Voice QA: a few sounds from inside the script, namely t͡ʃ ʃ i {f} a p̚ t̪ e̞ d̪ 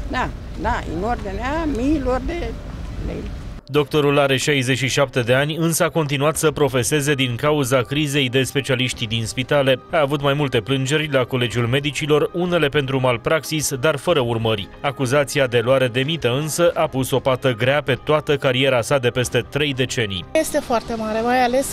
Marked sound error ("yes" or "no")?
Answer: yes